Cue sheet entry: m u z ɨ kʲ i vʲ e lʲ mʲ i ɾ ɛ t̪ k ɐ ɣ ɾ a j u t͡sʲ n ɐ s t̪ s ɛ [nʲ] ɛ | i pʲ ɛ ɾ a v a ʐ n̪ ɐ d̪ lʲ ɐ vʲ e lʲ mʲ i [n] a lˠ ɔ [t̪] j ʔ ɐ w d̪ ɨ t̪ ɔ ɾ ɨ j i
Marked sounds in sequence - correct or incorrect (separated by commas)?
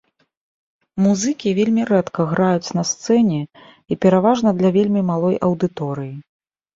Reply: correct, incorrect, incorrect